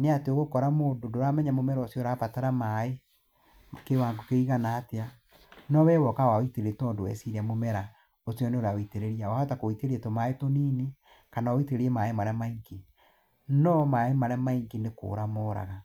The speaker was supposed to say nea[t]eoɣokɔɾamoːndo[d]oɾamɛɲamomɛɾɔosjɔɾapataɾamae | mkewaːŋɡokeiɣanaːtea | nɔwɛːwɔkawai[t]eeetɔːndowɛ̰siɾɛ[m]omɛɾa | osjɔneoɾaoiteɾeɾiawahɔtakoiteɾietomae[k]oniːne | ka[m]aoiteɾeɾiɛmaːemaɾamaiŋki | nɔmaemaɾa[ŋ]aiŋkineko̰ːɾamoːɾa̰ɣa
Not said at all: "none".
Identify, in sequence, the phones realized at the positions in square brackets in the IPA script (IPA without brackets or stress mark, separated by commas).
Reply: t, d, t, m, t, n, m